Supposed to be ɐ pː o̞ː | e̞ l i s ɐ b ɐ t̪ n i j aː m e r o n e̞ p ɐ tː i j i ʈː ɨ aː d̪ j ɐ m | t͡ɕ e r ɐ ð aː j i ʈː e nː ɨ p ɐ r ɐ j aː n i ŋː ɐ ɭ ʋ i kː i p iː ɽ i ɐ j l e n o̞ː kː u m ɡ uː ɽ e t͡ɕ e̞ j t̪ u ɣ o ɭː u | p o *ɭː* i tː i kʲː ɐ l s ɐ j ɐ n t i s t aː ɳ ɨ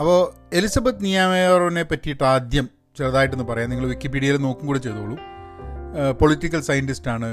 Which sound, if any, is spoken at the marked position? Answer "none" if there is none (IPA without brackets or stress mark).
ɭ